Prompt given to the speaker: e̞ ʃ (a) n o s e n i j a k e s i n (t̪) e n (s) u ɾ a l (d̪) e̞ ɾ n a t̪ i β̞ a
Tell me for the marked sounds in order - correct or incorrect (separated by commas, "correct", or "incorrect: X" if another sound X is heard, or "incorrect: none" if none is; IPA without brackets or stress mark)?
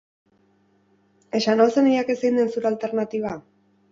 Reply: correct, incorrect: d̪, correct, incorrect: t̪